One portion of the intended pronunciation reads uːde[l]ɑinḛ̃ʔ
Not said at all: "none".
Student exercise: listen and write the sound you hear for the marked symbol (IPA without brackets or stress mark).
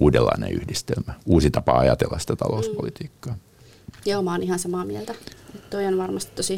lː